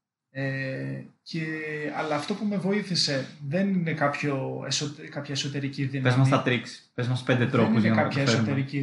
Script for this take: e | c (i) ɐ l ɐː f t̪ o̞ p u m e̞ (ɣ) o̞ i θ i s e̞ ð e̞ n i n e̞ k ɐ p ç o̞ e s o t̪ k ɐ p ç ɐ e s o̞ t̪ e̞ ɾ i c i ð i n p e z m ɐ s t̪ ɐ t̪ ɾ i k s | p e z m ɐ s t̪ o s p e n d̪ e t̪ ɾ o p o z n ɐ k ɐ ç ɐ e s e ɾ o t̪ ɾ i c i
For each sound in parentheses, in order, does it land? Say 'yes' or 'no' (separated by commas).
no, no